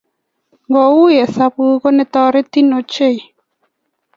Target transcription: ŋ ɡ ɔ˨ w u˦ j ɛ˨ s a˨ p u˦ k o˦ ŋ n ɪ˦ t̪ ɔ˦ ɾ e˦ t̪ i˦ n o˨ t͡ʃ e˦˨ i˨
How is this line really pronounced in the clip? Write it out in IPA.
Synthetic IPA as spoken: ŋ ɡ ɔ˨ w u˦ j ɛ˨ s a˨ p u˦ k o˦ n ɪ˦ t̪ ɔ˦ ɾ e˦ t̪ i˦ n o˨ t͡ʃ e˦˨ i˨